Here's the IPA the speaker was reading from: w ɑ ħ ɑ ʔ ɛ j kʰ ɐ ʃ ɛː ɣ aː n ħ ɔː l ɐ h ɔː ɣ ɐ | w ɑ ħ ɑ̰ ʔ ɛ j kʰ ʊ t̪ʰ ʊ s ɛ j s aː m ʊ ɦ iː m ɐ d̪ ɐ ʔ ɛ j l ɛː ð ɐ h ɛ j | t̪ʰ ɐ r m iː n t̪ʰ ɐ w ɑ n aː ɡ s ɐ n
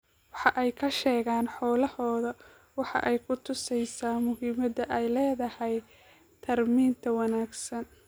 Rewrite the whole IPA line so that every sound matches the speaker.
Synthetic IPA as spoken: w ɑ ħ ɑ ʔ ɛ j kʰ ɐ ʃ ɛː ɣ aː n ħ ɔː l ɐ h ɔː ð ɐ | w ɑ ħ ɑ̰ ʔ ɛ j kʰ ʊ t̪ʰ ʊ s ɛ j s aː m ʊ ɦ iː m ɐ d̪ ɐ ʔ ɛ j l ɛː ð ɐ h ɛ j | t̪ʰ ɐ r m iː n t̪ʰ ɐ w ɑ n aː ɡ s ɐ n

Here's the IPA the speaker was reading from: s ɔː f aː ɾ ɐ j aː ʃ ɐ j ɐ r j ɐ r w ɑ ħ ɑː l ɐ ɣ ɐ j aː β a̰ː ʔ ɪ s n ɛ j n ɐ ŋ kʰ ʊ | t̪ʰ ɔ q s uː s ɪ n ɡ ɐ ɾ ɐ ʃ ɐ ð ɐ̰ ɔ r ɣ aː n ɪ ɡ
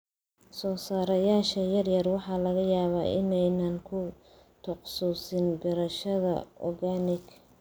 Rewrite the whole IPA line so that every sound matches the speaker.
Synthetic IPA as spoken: s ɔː s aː ɾ ɐ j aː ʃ ɐ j ɐ r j ɐ r w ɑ ħ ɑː l ɐ ɣ ɐ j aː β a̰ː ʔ ɪ n ɛ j n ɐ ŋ kʰ ʊ | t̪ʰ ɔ q s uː s ɪ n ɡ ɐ ɾ ɐ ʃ ɐ ð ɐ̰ ɔ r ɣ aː n ɪ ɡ

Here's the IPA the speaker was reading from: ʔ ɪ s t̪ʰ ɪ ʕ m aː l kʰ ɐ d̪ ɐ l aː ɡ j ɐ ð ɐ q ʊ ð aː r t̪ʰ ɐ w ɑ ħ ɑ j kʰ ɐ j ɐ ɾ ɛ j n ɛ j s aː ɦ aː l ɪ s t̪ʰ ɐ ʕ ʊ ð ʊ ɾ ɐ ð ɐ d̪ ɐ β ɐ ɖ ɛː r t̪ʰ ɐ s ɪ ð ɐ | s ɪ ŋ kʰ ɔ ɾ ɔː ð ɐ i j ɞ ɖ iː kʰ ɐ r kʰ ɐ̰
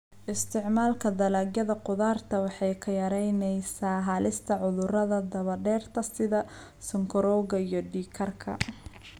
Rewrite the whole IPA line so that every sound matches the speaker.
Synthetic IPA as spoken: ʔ ɪ s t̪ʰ ɪ ʕ m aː l kʰ ɐ d̪ ɐ l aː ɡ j ɐ ð ɐ q ʊ ð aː r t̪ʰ ɐ w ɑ ħ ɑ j kʰ ɐ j ɐ ɾ ɛ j n ɛ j s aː ɦ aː l ɪ s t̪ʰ ɐ ʕ ʊ ð ʊ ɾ ɐ ð ɐ d̪ ɐ β ɐ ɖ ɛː r t̪ʰ ɐ s ɪ ð ɐ | s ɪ ŋ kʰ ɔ ɾ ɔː ɣ ɐ i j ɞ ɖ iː kʰ ɐ r kʰ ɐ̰

